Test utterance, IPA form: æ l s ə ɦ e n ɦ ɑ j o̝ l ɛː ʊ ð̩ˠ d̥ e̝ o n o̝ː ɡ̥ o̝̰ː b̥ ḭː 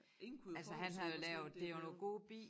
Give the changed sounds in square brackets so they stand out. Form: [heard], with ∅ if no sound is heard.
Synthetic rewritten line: æ l s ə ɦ [æ] n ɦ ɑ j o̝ l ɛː ʊ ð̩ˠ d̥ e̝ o n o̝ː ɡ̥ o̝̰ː b̥ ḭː